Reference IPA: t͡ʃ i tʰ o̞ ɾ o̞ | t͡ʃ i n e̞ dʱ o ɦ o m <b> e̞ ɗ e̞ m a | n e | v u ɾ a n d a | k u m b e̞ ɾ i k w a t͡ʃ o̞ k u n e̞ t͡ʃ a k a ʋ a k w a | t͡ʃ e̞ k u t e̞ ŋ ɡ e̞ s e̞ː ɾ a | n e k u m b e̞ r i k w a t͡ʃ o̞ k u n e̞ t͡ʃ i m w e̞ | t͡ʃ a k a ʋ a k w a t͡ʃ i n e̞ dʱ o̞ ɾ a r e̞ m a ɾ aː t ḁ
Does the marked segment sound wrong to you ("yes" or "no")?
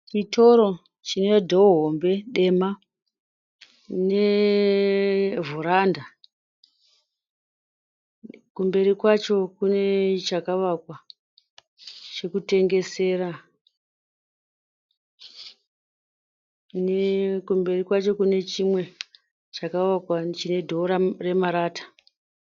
no